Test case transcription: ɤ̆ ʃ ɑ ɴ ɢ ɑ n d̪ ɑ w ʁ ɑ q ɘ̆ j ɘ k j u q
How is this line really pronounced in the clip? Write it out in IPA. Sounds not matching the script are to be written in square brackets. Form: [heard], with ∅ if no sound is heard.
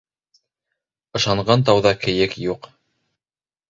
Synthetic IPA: ɤ̆ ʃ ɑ ɴ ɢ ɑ n [t̪] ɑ w [ð] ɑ [k] ɘ̆ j ɘ k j u q